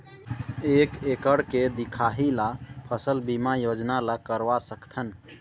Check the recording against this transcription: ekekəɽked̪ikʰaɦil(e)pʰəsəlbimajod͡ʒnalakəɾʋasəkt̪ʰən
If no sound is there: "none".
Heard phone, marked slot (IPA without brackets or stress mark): a